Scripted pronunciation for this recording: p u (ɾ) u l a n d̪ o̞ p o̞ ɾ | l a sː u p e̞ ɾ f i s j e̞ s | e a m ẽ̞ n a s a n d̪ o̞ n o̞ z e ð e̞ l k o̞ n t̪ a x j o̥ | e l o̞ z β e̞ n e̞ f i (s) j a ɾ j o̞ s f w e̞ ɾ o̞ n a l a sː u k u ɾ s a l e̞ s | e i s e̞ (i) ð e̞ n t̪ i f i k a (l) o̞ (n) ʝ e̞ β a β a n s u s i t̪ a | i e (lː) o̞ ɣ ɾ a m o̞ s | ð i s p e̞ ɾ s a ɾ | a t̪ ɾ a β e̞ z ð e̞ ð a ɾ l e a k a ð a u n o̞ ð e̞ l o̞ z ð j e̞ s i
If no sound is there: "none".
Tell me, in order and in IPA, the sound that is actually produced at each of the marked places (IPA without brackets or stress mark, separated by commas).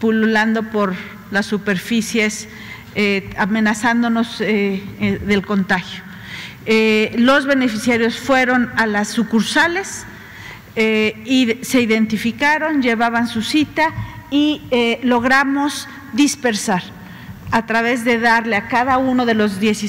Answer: l, s, i, ɾ, n, l